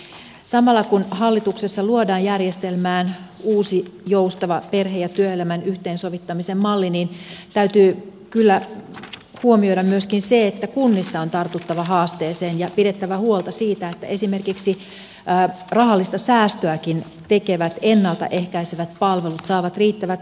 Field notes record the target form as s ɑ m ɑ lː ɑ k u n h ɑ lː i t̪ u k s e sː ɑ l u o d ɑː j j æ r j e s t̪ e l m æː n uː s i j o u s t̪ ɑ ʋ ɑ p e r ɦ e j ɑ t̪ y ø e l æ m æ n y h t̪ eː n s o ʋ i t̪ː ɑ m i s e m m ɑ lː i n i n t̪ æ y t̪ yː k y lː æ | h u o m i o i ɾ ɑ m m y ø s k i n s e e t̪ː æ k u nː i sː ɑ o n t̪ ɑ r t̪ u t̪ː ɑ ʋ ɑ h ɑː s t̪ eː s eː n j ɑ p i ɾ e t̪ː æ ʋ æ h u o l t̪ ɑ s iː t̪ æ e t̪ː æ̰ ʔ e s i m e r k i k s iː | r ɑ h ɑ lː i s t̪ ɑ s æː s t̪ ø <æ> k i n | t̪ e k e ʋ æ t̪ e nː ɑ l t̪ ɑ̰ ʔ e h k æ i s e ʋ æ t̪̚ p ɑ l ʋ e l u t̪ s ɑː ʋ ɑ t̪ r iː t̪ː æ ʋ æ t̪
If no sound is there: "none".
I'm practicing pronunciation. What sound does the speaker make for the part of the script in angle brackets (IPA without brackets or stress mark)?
æ